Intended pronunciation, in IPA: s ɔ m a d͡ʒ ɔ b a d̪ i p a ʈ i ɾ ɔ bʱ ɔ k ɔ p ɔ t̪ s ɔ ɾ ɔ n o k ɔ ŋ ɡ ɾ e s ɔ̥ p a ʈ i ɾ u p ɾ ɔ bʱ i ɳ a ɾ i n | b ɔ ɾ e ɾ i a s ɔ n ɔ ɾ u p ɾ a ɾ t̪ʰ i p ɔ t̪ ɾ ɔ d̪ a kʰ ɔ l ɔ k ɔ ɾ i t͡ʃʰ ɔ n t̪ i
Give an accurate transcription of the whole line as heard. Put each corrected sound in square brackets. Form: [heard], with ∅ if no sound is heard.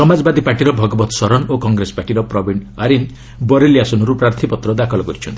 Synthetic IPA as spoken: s ɔ m a d͡ʒ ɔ b a d̪ i p a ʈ i ɾ ɔ bʱ ɔ [ɡ] ɔ [b] ɔ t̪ s ɔ ɾ ɔ n o k ɔ ŋ ɡ ɾ e s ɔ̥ p a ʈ i ɾ [ɔ] p ɾ ɔ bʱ i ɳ a ɾ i n | b ɔ ɾ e [l] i a s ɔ n ɔ ɾ u p ɾ a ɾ t̪ʰ i p ɔ t̪ ɾ ɔ d̪ a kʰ ɔ l ɔ k ɔ ɾ i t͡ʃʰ ɔ n t̪ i